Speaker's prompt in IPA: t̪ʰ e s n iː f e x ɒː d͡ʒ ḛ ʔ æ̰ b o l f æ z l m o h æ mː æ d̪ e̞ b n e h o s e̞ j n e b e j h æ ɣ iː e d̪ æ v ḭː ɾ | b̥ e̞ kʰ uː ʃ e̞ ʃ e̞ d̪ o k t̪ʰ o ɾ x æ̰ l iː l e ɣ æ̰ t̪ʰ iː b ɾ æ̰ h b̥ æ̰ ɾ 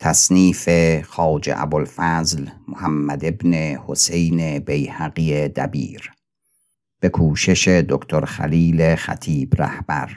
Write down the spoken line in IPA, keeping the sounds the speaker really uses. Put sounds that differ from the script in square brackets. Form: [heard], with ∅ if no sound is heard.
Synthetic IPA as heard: t̪ʰ [æ] s n iː f e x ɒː d͡ʒ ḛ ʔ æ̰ b o l f æ z l m o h æ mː æ d̪ e̞ b n e h o s e̞ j n e b e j h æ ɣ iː e d̪ æ [b] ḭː ɾ | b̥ e̞ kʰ uː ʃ e̞ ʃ e̞ d̪ o k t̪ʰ o ɾ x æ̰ l iː l e [x] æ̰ t̪ʰ iː b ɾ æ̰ h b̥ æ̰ ɾ